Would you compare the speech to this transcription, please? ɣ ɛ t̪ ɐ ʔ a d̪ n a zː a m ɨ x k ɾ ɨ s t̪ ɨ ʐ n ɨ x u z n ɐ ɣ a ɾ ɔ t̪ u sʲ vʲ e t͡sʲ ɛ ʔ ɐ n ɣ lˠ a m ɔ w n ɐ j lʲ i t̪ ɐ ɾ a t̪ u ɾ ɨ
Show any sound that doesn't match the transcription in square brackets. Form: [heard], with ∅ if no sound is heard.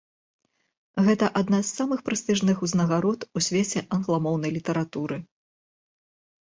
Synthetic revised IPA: ɣ ɛ t̪ ɐ ʔ a d̪ n a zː a m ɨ x [p] ɾ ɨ s t̪ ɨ ʐ n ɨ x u z n ɐ ɣ a ɾ ɔ t̪ u sʲ vʲ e t͡sʲ ɛ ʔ ɐ n ɣ lˠ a m ɔ w n ɐ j lʲ i t̪ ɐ ɾ a t̪ u ɾ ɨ

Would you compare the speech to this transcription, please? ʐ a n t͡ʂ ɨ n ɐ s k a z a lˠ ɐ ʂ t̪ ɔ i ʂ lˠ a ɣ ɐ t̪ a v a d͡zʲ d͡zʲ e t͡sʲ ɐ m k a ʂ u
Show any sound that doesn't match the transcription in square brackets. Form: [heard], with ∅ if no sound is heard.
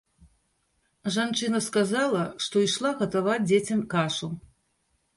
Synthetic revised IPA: ʐ a n t͡ʂ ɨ n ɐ s k a z a lˠ ɐ ʂ t̪ ɔ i ʂ lˠ a ɣ ɐ t̪ a v a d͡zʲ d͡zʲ e t͡sʲ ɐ m k a ʂ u

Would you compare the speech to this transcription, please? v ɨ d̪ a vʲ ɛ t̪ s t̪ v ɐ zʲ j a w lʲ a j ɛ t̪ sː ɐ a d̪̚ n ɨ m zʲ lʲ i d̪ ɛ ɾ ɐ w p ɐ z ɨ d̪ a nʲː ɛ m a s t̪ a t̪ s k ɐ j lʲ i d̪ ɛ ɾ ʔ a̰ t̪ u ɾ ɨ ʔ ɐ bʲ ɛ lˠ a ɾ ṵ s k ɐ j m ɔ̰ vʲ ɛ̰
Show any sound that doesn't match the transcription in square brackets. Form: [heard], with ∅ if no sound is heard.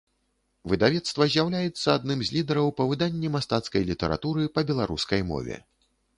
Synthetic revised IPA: v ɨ d̪ a vʲ ɛ t̪ s t̪ v ɐ zʲ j a w lʲ a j ɛ t̪ sː ɐ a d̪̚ n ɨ m zʲ lʲ i d̪ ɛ ɾ ɐ w p ɐ [v] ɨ d̪ a nʲː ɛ m a s t̪ a t̪ s k ɐ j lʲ i [t̪] ɛ ɾ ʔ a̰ t̪ u ɾ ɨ [p] ɐ bʲ ɛ lˠ a ɾ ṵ s k ɐ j m ɔ̰ vʲ ɛ̰

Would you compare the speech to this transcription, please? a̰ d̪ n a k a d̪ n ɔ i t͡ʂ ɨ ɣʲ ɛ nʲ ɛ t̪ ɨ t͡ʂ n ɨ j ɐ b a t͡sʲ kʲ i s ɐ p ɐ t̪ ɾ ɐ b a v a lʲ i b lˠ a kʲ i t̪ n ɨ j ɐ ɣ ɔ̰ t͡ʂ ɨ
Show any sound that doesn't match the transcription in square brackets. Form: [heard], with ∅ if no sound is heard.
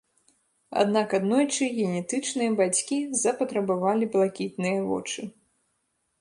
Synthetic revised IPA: a̰ d̪ n a k a d̪ n ɔ [j] t͡ʂ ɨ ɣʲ ɛ nʲ ɛ t̪ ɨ t͡ʂ n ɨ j ɐ b a t͡sʲ kʲ i [z] ɐ p ɐ t̪ ɾ ɐ b a v a lʲ i b lˠ a kʲ i t̪ n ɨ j ɐ [v] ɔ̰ t͡ʂ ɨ

